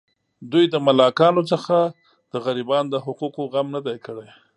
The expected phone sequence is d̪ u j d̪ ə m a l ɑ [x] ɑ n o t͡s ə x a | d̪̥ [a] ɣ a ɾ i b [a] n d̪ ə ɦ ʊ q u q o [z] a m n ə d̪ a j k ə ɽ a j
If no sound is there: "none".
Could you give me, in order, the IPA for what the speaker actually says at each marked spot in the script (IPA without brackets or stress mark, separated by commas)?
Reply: k, ə, ɑ, ɣ